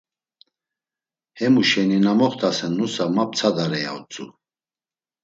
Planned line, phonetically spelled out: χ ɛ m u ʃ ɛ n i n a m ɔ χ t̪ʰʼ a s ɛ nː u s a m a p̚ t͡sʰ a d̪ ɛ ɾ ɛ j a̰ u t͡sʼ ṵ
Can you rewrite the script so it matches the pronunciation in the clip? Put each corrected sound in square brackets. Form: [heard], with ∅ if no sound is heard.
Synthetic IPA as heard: [h] ɛ m u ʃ ɛ n i n a m ɔ χ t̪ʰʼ a s ɛ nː u s a m a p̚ t͡sʰ a d̪ [a] ɾ ɛ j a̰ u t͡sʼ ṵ